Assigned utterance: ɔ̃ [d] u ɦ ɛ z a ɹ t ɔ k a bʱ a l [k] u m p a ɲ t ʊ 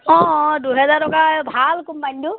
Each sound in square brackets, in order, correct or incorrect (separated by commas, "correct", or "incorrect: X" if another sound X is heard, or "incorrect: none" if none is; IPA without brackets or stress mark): correct, correct